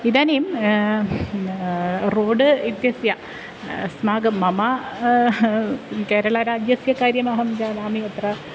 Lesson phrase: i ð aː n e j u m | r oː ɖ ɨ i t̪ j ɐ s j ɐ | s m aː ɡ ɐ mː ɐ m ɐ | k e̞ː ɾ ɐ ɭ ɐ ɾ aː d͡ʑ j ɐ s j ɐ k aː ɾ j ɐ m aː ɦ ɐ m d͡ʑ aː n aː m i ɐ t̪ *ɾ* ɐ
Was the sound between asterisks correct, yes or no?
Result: no